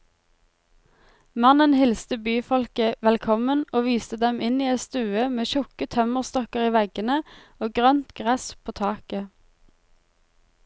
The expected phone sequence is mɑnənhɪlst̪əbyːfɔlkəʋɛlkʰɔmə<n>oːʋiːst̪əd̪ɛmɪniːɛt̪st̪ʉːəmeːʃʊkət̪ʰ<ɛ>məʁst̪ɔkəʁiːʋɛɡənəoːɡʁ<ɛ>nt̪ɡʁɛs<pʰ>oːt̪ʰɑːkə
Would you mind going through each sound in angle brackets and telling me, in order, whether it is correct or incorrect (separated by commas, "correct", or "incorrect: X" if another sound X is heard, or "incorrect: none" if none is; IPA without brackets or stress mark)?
correct, incorrect: œ, incorrect: œ, correct